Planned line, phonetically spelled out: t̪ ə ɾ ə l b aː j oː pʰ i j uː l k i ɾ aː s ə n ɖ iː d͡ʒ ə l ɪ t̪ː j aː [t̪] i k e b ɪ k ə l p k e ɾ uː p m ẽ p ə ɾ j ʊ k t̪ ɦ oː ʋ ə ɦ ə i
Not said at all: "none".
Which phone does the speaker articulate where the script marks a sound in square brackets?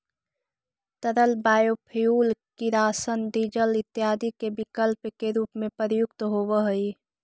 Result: d̪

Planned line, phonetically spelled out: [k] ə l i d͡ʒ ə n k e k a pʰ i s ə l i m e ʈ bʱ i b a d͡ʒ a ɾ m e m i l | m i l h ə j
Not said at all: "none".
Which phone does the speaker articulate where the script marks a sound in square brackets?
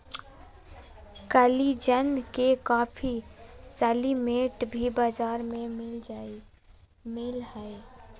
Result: k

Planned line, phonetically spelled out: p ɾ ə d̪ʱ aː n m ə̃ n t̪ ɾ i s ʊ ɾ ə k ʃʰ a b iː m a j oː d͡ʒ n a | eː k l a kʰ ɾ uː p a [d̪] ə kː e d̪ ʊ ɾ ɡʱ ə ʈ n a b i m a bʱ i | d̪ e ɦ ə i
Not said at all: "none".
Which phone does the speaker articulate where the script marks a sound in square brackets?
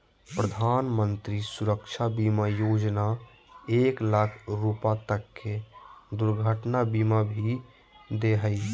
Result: t̪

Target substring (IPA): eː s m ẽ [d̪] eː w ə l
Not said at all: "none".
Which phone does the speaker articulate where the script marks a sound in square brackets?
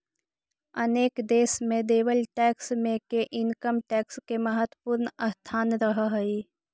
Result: d̪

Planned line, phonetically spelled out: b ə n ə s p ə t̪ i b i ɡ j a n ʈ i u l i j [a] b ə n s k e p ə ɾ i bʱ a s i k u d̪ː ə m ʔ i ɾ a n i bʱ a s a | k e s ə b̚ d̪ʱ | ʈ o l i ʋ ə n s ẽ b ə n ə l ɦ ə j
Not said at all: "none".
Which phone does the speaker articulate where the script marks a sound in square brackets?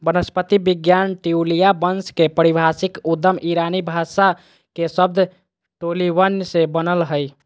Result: a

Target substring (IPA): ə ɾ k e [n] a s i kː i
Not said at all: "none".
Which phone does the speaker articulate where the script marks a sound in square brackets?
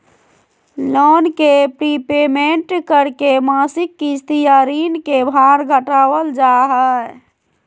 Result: m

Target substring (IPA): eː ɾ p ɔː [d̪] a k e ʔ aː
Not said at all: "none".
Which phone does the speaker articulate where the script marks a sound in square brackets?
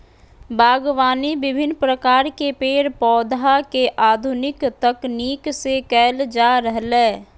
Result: d̪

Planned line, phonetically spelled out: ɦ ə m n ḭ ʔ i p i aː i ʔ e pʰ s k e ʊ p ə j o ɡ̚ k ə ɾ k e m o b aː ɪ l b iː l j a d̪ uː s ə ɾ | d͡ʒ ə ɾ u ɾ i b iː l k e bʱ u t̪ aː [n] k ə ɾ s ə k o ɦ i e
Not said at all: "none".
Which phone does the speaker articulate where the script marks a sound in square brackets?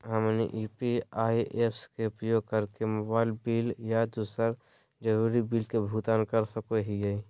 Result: n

